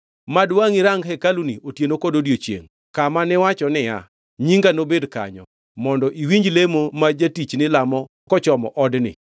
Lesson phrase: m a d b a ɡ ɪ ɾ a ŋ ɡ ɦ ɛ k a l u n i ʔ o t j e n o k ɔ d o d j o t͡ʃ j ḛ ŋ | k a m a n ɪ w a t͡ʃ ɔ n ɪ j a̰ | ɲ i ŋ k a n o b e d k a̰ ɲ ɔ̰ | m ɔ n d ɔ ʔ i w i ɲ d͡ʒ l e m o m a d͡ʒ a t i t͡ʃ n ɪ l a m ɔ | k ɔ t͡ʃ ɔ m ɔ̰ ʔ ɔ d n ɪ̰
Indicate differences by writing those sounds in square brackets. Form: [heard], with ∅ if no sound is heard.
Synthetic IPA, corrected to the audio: m a d [w] a [ŋ] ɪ ɾ a ŋ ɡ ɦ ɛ k a l u n i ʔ o t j e n o k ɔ d o d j o t͡ʃ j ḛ ŋ | k a m a n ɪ w a t͡ʃ ɔ n ɪ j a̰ | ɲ i ŋ [ɡ] a n o b e d k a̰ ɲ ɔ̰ | m ɔ n d ɔ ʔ i w i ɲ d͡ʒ l e m o m a d͡ʒ a t i t͡ʃ n ɪ l a m ɔ | k ɔ t͡ʃ ɔ m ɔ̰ ʔ ɔ d n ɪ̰

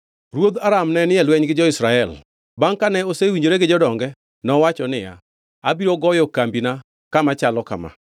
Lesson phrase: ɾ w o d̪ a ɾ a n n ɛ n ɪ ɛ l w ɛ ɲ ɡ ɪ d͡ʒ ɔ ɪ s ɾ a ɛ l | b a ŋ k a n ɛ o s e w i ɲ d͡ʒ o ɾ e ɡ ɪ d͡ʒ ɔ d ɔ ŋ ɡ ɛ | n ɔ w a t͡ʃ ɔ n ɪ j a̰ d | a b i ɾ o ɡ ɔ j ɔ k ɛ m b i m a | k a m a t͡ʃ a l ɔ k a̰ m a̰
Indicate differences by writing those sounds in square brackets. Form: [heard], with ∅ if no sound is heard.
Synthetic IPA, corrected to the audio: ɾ w o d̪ a ɾ a [m] n ɛ n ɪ ɛ l w ɛ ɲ ɡ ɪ d͡ʒ ɔ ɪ s ɾ a ɛ l | b a ŋ k a n ɛ o s e w i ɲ d͡ʒ o ɾ e ɡ ɪ d͡ʒ ɔ d ɔ ŋ ɡ ɛ | n ɔ w a t͡ʃ ɔ n ɪ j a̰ [∅] | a b i ɾ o ɡ ɔ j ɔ k [a] m b i [n] a | k a m a t͡ʃ a l ɔ k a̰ m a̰

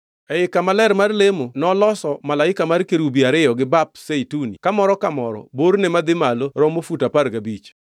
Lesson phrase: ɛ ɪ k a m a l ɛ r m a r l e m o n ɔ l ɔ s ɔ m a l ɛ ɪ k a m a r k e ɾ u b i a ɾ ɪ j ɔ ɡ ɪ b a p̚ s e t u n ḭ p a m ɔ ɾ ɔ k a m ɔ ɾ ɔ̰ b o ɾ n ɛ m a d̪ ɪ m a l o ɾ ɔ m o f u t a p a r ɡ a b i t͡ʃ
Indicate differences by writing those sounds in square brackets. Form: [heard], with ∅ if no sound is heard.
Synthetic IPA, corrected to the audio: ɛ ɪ k a m a l ɛ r m a r l e m o n ɔ l ɔ s ɔ m a l [a] ɪ k a m a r k e ɾ u b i a ɾ ɪ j ɔ ɡ ɪ b a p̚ s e t u n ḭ [k] a m ɔ ɾ ɔ k a m ɔ ɾ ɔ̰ b o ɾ n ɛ m a d̪ ɪ m a l o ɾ ɔ m o f u t a p a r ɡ a b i t͡ʃ

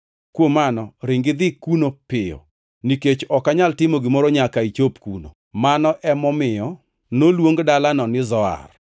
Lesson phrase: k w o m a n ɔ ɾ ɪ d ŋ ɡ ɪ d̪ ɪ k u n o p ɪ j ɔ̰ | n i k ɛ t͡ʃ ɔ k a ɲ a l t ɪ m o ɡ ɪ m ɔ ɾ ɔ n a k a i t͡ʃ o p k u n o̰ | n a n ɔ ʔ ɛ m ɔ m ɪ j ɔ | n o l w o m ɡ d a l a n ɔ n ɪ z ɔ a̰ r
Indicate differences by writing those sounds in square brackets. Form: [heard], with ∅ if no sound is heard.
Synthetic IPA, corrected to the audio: k w o m a n ɔ ɾ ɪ [∅] ŋ ɡ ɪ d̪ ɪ k u n o p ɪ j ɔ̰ | n i k [e] t͡ʃ ɔ k a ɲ a l t ɪ m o ɡ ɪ m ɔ ɾ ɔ [ɲ] a k a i t͡ʃ o p k u n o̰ | [m] a n ɔ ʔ ɛ m ɔ m ɪ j ɔ | n o l w o [ŋ] ɡ d a l a n ɔ n ɪ z ɔ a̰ r

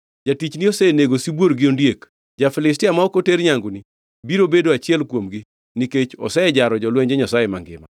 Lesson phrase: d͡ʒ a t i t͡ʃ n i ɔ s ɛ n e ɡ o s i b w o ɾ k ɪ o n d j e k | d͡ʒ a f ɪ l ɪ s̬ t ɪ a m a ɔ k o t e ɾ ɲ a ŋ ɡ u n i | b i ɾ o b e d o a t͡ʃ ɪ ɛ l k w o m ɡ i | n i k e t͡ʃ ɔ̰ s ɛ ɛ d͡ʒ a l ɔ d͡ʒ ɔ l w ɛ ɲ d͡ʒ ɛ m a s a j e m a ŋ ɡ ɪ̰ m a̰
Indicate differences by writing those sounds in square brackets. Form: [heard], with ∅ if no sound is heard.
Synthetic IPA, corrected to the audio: d͡ʒ a t i t͡ʃ n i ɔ s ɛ n e ɡ o s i b w o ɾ [ɡ] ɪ o n d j e k | d͡ʒ a f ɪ l ɪ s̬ t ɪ a m a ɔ k o t e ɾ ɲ a ŋ ɡ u n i | b i ɾ o b e d o a t͡ʃ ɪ ɛ l k w o m ɡ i | n i k e t͡ʃ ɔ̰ s ɛ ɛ d͡ʒ a [ɾ] ɔ d͡ʒ ɔ l w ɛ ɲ d͡ʒ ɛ [ɲ] a s a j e m a ŋ ɡ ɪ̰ m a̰

